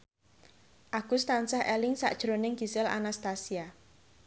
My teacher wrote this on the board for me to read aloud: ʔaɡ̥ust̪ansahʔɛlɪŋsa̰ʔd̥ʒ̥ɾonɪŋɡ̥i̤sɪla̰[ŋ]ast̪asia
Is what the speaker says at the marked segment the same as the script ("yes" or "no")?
no